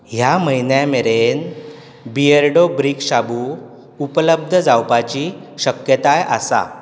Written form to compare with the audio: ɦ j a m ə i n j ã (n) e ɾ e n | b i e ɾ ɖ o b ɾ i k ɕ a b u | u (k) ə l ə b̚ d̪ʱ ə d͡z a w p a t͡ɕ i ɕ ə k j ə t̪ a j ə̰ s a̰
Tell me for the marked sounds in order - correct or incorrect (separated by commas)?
incorrect, incorrect